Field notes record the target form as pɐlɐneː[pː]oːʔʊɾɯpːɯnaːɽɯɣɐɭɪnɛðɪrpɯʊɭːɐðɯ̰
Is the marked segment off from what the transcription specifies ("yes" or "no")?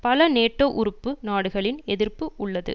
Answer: yes